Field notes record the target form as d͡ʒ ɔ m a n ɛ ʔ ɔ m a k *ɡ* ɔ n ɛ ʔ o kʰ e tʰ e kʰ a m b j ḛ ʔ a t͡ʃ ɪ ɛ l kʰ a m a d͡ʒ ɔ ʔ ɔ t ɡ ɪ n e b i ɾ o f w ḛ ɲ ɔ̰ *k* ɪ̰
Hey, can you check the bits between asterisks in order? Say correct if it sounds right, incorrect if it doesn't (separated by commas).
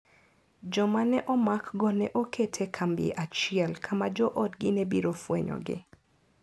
correct, incorrect